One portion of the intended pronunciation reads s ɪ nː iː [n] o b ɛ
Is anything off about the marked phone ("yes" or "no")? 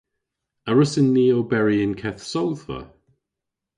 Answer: yes